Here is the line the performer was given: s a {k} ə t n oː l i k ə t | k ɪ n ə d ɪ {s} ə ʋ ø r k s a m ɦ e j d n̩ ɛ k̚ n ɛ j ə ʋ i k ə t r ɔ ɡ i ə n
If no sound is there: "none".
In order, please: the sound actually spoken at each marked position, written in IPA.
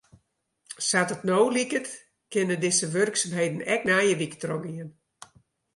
t, s

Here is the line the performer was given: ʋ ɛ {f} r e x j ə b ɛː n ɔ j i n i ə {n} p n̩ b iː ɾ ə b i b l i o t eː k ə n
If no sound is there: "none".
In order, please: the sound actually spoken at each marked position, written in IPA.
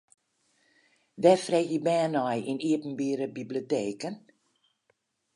f, none

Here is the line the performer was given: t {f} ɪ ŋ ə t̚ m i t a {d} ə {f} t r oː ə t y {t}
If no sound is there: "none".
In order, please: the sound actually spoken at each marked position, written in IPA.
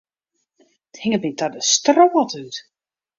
h, d, s, t

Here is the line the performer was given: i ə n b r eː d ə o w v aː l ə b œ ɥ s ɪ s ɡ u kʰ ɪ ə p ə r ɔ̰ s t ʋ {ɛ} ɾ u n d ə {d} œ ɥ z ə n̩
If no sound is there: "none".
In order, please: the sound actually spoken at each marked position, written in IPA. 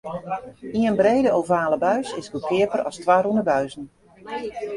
a, b

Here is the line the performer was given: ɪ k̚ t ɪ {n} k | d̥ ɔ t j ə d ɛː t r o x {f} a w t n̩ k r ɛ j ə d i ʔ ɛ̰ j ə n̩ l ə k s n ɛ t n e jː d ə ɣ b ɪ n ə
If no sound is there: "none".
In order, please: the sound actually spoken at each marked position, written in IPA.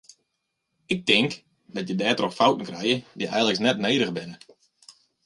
ŋ, f

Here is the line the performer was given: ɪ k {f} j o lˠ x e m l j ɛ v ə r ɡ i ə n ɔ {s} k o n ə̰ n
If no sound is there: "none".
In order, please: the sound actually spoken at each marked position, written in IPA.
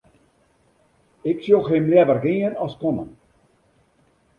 s, s

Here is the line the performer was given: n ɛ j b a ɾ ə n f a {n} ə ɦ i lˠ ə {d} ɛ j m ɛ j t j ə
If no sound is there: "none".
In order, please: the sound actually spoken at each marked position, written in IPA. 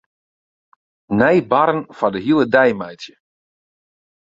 d, d

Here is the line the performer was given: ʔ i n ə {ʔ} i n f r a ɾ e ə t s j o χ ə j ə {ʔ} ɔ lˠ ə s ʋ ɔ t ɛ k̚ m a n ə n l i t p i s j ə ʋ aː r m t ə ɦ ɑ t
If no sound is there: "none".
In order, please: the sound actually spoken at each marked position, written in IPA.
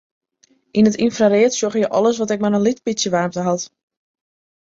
t, ʔ

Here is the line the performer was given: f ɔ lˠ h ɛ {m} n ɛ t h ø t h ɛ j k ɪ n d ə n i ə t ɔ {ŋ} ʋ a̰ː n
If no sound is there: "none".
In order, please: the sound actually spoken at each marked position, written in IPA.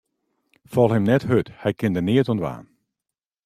m, n

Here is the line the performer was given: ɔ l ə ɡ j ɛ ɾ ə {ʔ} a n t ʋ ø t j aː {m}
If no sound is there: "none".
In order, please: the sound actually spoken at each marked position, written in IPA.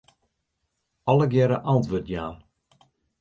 ʔ, n

